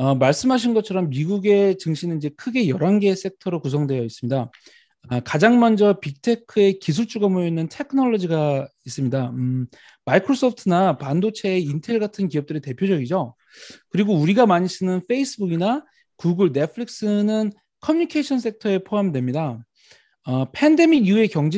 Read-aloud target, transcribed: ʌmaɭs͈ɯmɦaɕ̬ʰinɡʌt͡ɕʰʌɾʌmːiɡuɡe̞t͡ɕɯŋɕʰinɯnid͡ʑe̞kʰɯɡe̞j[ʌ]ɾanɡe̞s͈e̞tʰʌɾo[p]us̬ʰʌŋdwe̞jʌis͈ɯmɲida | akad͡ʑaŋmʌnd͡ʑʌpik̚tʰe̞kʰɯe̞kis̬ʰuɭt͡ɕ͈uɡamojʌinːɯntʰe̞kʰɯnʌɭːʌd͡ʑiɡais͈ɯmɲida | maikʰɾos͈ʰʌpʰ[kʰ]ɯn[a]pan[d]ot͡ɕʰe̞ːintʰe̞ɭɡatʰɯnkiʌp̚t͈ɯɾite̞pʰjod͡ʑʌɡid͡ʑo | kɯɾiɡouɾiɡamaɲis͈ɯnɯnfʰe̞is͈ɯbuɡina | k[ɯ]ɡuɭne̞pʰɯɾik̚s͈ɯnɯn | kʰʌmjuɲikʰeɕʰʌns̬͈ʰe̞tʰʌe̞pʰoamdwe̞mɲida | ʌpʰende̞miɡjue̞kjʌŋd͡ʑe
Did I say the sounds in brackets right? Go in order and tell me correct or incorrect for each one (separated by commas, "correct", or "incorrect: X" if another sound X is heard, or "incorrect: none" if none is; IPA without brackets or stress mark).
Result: correct, incorrect: k, incorrect: tʰ, correct, correct, incorrect: u